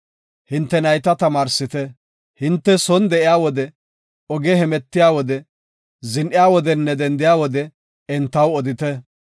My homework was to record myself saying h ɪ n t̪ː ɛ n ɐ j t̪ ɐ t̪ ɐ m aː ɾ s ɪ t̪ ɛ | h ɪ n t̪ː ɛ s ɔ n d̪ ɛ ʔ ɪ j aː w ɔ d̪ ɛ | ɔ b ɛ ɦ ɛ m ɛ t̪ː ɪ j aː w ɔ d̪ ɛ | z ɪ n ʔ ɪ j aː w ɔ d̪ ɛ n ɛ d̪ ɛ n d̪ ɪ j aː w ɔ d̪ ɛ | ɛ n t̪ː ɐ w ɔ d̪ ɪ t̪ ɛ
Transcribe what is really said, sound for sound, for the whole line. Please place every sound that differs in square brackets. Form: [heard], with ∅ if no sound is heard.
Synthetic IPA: h ɪ n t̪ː ɛ n ɐ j t̪ ɐ t̪ ɐ m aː ɾ s ɪ t̪ ɛ | h ɪ n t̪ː ɛ s ɔ n d̪ ɛ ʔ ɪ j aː w ɔ d̪ ɛ | ɔ [ɡ] ɛ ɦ ɛ m ɛ t̪ː ɪ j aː w ɔ d̪ ɛ | z ɪ n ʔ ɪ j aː w ɔ d̪ ɛ [nː] ɛ d̪ ɛ n d̪ ɪ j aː w ɔ d̪ ɛ | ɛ n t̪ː ɐ w ɔ d̪ ɪ t̪ ɛ